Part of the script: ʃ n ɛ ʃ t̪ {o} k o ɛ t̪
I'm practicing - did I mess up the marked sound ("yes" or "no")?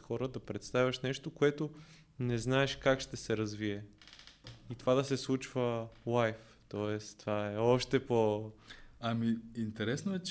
no